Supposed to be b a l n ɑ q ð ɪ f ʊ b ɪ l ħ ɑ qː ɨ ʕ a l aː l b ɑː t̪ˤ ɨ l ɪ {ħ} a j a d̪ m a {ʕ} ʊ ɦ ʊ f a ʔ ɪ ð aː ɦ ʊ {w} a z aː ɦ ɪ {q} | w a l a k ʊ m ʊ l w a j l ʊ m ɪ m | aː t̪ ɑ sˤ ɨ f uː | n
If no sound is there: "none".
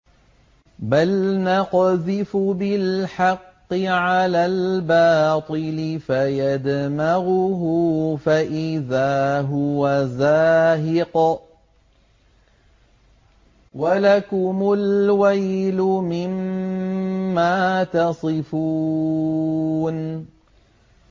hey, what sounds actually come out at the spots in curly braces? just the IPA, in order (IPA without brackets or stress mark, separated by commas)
f, ɣ, w, q